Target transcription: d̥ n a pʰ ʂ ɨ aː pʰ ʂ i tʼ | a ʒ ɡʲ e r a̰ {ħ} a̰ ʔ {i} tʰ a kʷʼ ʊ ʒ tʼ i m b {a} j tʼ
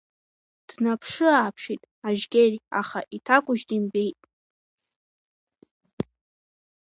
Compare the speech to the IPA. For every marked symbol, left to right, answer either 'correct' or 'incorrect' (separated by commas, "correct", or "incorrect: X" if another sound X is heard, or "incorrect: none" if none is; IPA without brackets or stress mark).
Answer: incorrect: χ, correct, incorrect: e